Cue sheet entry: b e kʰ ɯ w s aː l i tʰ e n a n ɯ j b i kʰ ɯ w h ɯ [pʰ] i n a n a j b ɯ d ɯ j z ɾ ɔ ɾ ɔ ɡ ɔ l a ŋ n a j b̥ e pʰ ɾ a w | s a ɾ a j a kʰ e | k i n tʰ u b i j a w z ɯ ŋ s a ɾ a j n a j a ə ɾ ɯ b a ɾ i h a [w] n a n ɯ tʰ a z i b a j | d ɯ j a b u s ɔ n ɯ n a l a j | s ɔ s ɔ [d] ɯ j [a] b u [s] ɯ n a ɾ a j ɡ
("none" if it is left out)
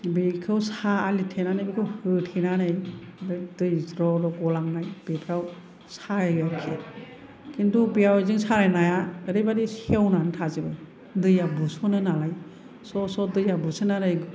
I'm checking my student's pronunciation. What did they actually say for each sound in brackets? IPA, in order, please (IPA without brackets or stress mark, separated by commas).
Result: tʰ, w, d, a, s